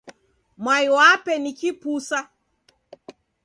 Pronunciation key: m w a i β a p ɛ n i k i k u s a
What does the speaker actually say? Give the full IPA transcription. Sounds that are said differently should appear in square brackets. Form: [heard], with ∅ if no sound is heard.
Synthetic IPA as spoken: m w a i [w] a p ɛ n i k i [p] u s a